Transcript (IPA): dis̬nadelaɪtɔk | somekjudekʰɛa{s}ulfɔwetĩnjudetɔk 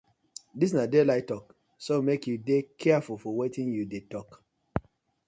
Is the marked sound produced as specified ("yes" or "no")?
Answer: no